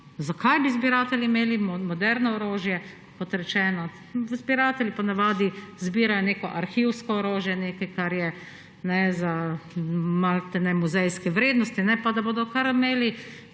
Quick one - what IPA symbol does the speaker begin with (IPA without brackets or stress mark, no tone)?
z